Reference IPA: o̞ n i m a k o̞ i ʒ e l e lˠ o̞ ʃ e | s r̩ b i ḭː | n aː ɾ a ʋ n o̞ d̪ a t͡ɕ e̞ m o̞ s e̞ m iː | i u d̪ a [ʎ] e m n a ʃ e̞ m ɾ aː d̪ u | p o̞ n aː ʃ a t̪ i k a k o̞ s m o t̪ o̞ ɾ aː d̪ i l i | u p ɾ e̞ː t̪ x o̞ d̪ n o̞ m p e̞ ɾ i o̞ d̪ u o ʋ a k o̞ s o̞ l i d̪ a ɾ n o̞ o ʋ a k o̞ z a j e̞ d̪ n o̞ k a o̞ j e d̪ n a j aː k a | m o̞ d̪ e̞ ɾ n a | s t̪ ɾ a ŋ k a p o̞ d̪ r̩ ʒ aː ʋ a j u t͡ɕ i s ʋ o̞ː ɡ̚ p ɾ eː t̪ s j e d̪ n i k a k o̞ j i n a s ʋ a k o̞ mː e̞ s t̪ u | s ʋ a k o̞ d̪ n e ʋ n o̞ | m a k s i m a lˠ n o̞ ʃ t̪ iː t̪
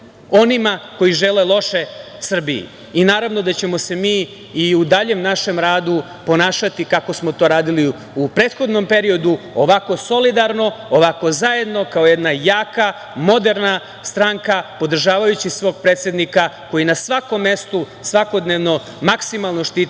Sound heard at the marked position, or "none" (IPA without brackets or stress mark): ʎ